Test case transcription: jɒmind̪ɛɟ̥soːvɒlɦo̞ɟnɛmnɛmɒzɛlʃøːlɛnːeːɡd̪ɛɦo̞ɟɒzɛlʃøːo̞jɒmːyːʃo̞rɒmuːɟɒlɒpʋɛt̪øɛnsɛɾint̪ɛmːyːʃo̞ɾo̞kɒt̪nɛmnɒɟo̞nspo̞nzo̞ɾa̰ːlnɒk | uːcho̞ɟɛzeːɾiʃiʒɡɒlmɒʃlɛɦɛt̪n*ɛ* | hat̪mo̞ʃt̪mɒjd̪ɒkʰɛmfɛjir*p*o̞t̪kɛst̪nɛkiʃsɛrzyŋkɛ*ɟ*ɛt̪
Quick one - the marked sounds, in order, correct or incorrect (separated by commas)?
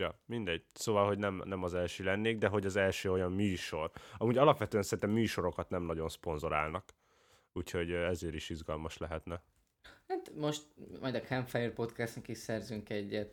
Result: correct, correct, incorrect